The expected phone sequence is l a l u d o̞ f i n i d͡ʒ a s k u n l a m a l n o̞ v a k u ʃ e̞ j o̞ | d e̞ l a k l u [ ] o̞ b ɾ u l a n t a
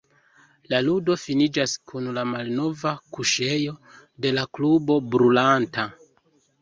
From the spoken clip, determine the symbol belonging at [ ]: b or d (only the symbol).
b